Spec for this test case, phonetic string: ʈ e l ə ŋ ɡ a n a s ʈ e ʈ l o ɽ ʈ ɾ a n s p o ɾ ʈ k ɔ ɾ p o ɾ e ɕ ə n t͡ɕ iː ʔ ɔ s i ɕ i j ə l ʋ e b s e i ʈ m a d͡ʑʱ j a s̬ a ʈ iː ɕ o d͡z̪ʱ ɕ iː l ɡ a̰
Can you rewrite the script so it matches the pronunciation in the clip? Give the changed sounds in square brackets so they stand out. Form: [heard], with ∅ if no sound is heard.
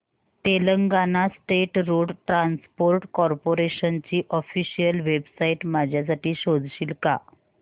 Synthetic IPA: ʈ e l ə ŋ ɡ a n a s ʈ e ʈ [ɾ] o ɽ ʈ ɾ a n s p o ɾ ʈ k ɔ ɾ p o ɾ e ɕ ə n t͡ɕ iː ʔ ɔ [f] i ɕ i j ə l ʋ e b s [a] i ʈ m a d͡ʑʱ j a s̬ a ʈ iː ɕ o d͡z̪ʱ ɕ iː l [k] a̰